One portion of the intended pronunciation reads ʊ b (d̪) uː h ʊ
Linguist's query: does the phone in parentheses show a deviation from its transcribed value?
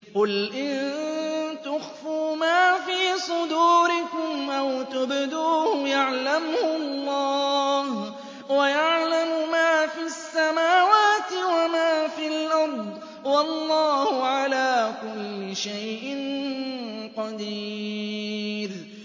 no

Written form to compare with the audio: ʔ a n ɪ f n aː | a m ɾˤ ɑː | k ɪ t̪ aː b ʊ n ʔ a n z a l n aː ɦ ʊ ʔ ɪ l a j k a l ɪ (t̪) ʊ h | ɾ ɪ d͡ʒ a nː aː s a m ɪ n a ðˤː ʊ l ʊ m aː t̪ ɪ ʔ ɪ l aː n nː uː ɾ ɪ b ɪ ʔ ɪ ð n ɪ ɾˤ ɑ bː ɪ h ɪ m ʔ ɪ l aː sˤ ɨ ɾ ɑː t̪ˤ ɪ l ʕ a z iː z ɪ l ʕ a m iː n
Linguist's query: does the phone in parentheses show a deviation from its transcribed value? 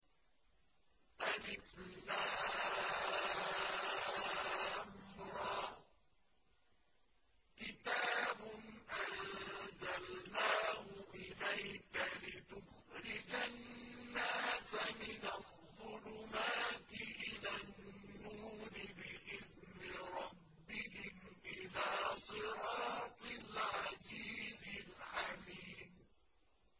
no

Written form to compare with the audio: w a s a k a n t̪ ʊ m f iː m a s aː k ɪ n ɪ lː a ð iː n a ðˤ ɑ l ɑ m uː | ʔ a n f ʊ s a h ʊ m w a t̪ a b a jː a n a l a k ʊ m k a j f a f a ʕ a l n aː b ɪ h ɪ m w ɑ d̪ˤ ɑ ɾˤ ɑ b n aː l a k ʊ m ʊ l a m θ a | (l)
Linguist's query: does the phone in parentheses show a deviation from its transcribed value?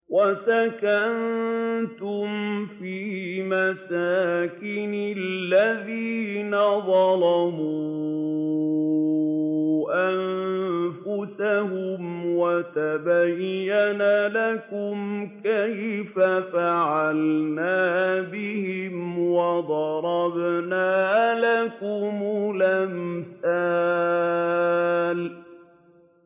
no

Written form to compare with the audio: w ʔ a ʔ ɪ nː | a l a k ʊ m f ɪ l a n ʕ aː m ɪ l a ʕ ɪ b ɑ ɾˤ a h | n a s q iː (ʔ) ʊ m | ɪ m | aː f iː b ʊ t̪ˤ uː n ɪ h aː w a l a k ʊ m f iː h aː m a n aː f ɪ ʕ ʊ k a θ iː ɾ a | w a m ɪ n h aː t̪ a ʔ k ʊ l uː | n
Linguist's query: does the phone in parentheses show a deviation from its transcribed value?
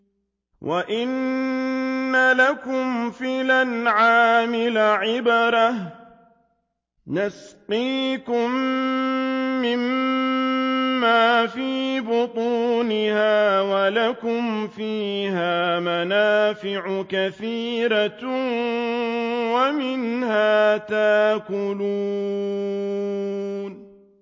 yes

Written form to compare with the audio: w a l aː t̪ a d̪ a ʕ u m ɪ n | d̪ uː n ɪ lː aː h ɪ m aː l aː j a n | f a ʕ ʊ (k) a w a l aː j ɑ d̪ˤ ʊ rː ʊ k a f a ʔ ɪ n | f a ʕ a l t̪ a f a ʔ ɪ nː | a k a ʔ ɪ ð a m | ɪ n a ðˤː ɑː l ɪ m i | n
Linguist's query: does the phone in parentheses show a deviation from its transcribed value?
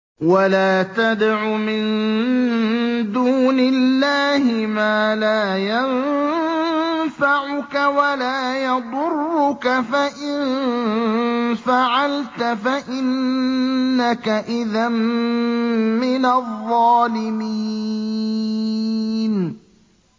no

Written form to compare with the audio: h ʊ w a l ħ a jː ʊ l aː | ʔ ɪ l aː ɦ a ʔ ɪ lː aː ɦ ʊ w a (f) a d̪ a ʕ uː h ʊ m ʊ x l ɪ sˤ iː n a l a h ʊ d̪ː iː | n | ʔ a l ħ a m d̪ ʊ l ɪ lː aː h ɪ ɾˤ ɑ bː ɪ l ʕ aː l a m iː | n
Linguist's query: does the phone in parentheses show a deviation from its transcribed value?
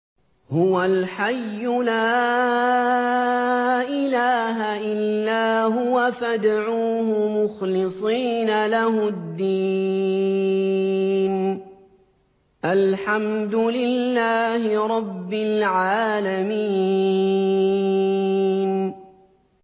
no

